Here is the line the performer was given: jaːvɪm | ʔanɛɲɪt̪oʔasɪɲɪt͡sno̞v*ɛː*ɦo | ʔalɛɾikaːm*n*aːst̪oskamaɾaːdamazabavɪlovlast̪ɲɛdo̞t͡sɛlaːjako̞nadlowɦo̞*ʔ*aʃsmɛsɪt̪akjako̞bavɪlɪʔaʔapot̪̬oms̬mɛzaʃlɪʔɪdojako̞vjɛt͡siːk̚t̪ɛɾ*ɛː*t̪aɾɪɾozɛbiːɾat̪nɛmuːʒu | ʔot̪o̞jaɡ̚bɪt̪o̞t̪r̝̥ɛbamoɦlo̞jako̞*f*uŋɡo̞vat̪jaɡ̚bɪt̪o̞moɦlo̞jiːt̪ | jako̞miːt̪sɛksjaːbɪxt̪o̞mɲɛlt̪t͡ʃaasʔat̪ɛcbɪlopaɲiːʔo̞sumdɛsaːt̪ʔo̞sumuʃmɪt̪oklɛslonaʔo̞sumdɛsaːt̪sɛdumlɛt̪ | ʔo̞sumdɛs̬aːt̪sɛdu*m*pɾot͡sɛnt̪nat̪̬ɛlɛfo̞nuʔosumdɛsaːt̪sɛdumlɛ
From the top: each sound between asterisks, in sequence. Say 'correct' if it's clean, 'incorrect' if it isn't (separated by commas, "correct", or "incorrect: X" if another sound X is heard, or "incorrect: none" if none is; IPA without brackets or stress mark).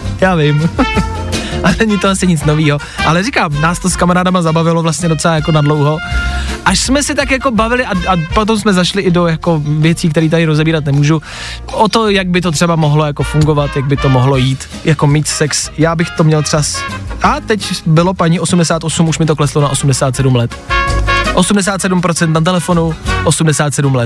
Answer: incorrect: iː, correct, correct, incorrect: iː, correct, correct